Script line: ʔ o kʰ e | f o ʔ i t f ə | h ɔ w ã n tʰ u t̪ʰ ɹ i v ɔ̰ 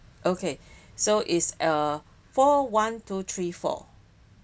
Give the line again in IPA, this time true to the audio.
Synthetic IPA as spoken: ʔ o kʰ e | s o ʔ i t s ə | f ɔ w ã n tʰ u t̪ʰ ɹ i f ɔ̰